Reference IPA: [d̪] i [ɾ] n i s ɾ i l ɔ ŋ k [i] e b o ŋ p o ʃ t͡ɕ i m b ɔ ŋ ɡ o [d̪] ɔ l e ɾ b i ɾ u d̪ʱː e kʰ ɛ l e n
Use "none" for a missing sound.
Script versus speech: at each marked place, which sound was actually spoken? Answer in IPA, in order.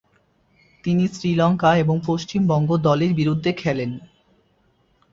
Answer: t̪, none, a, d̪

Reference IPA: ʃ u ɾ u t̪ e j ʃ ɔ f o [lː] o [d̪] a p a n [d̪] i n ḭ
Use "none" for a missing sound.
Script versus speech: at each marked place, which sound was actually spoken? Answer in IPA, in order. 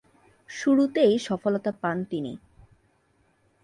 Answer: l, t̪, t̪

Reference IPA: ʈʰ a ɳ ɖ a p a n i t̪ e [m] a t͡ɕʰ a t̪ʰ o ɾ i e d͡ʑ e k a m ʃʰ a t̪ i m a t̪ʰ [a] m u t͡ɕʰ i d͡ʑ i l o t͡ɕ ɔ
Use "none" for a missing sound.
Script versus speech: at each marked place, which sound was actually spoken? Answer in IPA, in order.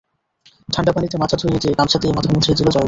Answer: m, a

